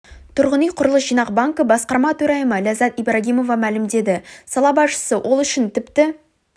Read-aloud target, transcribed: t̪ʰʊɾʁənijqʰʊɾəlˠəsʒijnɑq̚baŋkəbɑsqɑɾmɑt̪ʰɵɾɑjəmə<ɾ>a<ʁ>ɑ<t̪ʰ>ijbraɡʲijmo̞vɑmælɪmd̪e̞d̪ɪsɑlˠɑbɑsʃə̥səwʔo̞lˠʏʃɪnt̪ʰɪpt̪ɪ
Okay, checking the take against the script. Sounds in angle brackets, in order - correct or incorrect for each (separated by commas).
incorrect, incorrect, incorrect